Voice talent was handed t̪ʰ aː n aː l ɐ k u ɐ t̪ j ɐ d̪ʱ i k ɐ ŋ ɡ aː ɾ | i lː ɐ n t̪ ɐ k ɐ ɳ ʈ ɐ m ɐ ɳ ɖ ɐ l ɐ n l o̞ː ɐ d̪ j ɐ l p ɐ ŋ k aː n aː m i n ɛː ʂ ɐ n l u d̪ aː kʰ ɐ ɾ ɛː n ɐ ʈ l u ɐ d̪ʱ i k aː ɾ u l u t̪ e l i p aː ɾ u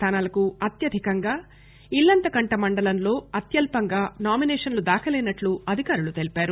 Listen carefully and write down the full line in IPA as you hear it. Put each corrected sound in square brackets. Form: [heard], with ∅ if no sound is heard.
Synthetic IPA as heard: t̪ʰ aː n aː l ɐ k u ɐ t̪ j ɐ d̪ʱ i k ɐ ŋ ɡ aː [∅] | i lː ɐ n t̪ ɐ k ɐ ɳ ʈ ɐ m ɐ ɳ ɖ ɐ l ɐ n l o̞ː ɐ [t̪] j ɐ l p ɐ ŋ [ɡ] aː n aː m i n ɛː ʂ ɐ n l u d̪ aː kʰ ɐ [l] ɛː n ɐ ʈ l u ɐ d̪ʱ i k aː ɾ u l u t̪ e l i p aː ɾ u